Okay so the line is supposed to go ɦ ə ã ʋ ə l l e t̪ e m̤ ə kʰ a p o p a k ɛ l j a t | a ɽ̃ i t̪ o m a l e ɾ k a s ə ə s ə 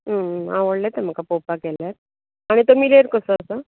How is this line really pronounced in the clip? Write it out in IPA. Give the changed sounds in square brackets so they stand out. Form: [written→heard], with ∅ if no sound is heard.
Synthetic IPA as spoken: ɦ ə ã ʋ ə [l→ɽ] l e t̪ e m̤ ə [kʰ→k] a p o p a k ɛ l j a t | a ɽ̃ i t̪ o m [a→i] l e ɾ k [a→ə] s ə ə s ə

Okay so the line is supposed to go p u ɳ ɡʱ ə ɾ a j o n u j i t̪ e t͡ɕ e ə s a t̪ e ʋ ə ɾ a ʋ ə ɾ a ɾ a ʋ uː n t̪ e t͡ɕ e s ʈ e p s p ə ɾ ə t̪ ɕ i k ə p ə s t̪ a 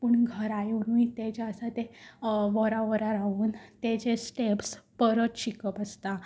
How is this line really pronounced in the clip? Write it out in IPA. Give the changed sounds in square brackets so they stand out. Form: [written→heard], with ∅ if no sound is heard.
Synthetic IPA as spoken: p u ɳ ɡʱ ə ɾ a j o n u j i t̪ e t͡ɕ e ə s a t̪ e ʋ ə ɾ a ʋ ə ɾ a ɾ a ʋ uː n t̪ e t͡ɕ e s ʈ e p s p ə ɾ ə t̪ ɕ i k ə p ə s t̪ a

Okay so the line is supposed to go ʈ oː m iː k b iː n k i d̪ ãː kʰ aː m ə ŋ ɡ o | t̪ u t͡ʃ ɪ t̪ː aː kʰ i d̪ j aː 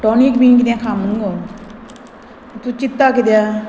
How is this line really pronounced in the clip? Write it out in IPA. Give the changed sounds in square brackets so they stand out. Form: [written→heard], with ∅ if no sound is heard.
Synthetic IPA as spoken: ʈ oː [m→n] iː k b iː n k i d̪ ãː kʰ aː m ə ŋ ɡ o | t̪ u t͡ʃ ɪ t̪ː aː [kʰ→k] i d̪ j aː

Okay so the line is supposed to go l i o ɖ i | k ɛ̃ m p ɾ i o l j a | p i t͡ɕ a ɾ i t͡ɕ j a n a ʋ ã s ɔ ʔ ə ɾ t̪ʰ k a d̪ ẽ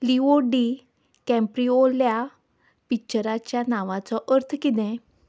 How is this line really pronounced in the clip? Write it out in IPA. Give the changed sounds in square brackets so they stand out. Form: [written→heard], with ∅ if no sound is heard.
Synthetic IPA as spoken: l i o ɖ i | k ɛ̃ m p ɾ i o l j a | p i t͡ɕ [a→ə] ɾ [i→a] t͡ɕ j a n a ʋ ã [s→t͡s] ɔ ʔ ə ɾ t̪ʰ k [a→i] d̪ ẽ

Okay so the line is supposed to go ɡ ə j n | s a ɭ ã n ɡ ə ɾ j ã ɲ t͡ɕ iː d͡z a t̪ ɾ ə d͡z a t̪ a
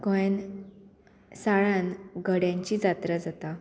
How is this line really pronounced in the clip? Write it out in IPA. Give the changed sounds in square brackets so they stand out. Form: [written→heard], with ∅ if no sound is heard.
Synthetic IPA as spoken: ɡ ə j n | s a ɭ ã n ɡ ə [ɾ→ɽ] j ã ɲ t͡ɕ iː d͡z a t̪ ɾ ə d͡z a t̪ a

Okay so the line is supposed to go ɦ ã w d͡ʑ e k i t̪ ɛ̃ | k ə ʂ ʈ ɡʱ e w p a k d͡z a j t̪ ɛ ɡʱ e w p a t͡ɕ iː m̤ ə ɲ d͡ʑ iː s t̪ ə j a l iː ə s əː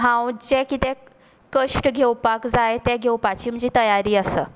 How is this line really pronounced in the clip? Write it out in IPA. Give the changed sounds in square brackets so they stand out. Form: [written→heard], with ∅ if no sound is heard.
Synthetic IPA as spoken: ɦ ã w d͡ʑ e k i t̪ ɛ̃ | k ə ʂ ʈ ɡʱ e w p a k d͡z a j t̪ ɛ ɡʱ e w p a t͡ɕ iː m̤ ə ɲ d͡ʑ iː [s→∅] t̪ ə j a [l→ɾ] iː ə s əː

